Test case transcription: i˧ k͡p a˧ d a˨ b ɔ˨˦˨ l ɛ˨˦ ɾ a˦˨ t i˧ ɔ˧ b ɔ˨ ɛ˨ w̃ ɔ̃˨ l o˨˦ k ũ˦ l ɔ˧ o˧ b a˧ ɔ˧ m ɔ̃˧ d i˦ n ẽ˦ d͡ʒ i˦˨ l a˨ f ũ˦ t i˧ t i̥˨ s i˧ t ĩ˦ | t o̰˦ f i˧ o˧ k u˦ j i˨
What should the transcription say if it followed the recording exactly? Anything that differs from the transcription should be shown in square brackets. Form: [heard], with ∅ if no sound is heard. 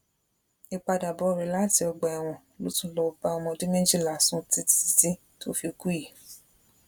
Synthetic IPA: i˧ k͡p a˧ d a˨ b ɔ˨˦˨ [ɾ] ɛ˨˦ [l] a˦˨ t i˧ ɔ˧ [ɡ͡b] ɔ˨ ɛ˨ w̃ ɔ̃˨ l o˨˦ [t] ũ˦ l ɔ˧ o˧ b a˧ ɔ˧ m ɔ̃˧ d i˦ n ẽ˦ d͡ʒ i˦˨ l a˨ [s] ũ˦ t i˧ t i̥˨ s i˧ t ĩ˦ | t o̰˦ f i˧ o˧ k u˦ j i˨